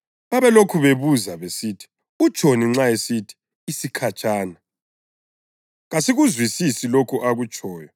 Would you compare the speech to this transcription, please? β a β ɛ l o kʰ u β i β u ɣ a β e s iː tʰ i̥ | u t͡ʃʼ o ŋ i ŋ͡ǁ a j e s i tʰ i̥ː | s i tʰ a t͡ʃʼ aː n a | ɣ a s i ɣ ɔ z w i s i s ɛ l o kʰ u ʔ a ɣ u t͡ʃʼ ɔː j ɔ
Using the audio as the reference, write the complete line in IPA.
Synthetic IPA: β a β ɛ l o kʰ u β e β u z a β e s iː tʰ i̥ | u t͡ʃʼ o n i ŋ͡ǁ a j e s i tʰ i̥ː | s i kʰ a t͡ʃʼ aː n a | ɣ a s i ɣ u z w i s i s i l o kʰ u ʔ a ɣ u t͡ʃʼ ɔː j ɔ